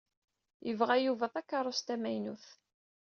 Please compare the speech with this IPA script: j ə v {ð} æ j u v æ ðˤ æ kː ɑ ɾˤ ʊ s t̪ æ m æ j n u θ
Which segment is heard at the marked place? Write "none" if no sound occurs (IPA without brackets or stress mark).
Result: ʁ